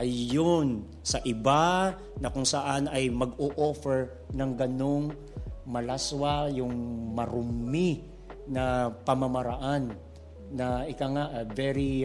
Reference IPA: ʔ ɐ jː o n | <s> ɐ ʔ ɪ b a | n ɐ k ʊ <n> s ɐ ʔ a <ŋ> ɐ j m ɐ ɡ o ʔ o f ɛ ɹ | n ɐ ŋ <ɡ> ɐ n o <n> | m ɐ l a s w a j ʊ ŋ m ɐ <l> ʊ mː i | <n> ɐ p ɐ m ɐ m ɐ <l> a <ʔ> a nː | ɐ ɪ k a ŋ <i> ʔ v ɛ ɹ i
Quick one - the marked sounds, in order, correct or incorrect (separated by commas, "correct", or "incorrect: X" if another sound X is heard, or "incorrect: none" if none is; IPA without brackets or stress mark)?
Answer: correct, incorrect: ŋ, incorrect: n, correct, incorrect: ŋ, incorrect: ɾ, correct, incorrect: ɾ, correct, incorrect: a